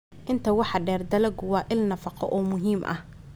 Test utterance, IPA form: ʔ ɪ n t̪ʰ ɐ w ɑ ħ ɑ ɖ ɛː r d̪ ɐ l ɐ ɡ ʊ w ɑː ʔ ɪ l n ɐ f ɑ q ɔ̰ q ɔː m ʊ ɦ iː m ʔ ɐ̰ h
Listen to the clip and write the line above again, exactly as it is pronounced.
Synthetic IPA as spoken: ʔ ɪ n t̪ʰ ɐ w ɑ ħ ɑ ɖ ɛː r d̪ ɐ l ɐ ɡ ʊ w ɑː ʔ ɪ l n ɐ f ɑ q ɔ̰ ʔ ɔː m ʊ ɦ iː m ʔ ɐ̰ h